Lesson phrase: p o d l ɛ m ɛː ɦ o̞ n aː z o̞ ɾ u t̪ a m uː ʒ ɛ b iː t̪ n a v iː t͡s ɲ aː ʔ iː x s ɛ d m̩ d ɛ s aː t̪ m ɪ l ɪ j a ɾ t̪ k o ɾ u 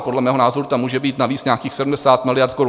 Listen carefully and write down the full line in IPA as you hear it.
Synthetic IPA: p o d l ɛ m ɛː ɦ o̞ n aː z o̞ ɾ u t̪ a m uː ʒ ɛ b iː t̪ n a v iː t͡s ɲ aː k iː x s ɛ d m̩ d ɛ s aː t̪ m ɪ l ɪ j a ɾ t̪ k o ɾ u